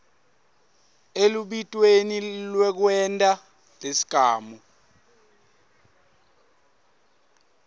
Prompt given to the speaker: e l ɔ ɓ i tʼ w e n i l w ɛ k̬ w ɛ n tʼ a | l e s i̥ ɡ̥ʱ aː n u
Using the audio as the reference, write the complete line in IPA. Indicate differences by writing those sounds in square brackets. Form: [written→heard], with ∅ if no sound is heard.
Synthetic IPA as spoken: e l [ɔ→u] ɓ i tʼ w e n i l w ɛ k̬ w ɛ n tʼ a | l e s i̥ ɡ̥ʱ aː [n→m] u